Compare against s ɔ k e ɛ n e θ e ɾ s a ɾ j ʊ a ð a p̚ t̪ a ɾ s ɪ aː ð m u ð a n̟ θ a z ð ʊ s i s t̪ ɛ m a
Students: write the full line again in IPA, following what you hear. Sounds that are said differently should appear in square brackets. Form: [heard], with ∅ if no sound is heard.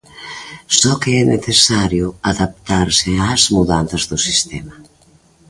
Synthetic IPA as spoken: s ɔ k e ɛ n e θ e [∅] s a ɾ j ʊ a ð a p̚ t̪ a ɾ s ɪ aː [z] m u ð a n̟ θ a z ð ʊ s i s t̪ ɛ m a

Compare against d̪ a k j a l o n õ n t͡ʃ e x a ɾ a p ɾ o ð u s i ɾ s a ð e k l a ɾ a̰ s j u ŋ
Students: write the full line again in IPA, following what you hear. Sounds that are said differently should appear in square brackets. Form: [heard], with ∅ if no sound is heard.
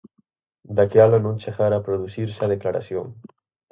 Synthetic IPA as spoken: d̪ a k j a l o n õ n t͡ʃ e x a ɾ a p ɾ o ð u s i ɾ s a ð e k l a ɾ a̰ s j [o] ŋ

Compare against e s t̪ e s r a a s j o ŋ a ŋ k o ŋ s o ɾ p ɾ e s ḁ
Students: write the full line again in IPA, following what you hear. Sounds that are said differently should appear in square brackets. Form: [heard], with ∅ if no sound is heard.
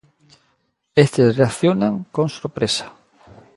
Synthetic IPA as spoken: e s t̪ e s r [e] a [θ] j o [n] a ŋ k o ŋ s o ɾ p ɾ e s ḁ

